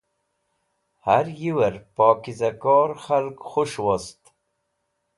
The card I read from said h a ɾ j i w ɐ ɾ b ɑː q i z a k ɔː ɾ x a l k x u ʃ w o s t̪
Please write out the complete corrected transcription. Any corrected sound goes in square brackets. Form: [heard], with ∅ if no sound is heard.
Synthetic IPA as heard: h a ɾ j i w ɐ ɾ [p] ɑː [k] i z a k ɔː ɾ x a l k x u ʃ w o s t̪